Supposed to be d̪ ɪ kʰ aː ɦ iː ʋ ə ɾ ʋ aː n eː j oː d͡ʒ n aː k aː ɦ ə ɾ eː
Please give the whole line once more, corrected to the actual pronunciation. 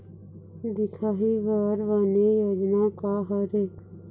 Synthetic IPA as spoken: d̪ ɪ kʰ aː ɦ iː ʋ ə ɾ ʋ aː n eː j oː d͡ʒ n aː k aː ɦ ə ɾ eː